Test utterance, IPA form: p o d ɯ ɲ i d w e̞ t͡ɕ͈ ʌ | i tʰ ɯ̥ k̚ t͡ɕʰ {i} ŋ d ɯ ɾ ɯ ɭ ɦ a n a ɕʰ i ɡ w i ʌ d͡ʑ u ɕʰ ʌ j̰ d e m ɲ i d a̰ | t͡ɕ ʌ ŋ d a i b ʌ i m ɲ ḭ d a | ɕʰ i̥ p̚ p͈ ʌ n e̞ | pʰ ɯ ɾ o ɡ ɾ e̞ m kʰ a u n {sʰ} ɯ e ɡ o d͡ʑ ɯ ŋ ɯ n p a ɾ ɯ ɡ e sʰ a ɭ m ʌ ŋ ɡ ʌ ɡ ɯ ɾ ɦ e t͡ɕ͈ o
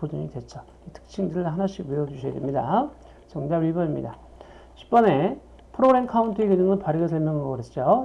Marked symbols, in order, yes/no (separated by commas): yes, no